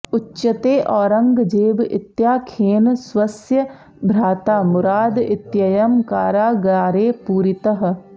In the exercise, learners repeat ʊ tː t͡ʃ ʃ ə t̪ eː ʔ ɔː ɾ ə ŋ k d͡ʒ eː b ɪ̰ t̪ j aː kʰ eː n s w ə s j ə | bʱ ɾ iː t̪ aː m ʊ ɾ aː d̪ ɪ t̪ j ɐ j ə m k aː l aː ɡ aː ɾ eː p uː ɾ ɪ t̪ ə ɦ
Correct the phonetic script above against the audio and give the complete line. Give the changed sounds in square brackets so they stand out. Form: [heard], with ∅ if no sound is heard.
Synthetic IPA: ʊ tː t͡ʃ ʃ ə t̪ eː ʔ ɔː ɾ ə ŋ [ɡ] d͡ʒ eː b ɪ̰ t̪ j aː kʰ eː n s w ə s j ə | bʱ ɾ [aː] t̪ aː m ʊ ɾ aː d̪ ɪ t̪ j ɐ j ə m k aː [ɾ] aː ɡ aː ɾ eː p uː ɾ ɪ t̪ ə ɦ

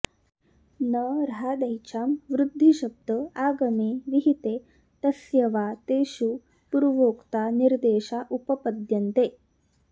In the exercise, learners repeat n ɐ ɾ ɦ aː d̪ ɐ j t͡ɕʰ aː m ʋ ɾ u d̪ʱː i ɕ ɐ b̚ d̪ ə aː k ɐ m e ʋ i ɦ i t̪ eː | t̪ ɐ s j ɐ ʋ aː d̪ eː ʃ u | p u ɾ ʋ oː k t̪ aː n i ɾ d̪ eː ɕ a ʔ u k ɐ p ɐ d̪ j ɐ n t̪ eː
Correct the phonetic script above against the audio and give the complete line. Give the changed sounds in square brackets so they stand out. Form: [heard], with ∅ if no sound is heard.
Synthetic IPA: n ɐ ɾ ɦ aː d̪ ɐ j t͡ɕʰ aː m ʋ ɾ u d̪ʱː i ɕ ɐ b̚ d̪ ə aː [ɡ] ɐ m e ʋ i ɦ i t̪ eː | t̪ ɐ s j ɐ ʋ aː [t̪] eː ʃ u | p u ɾ ʋ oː k t̪ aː n i ɾ d̪ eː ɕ a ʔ u [p] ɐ p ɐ d̪ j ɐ n t̪ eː

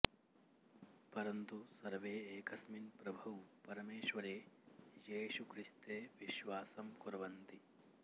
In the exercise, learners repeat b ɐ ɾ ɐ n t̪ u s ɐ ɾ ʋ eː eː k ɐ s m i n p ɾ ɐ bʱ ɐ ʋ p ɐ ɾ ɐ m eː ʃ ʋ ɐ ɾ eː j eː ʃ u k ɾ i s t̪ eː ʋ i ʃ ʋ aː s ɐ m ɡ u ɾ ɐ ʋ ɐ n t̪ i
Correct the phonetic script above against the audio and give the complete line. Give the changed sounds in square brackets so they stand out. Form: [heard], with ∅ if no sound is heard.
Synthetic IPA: [p] ɐ ɾ ɐ n t̪ u s ɐ ɾ ʋ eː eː k ɐ s m i n p ɾ ɐ bʱ ɐ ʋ p ɐ ɾ ɐ m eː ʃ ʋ ɐ ɾ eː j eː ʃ u k ɾ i s t̪ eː ʋ i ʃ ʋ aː s ɐ m [k] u ɾ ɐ ʋ ɐ n t̪ i

